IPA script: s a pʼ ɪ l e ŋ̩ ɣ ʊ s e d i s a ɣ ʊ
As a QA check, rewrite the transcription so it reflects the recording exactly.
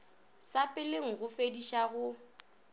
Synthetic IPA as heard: s a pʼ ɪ l e ŋ̩ ɣ ʊ f e d i ʃ a ɣ ʊ